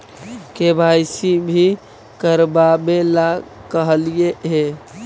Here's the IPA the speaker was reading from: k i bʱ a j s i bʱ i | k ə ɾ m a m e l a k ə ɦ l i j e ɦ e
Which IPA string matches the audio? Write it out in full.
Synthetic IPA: k e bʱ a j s i bʱ i | k ə ɾ b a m e l a k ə ɦ l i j e ɦ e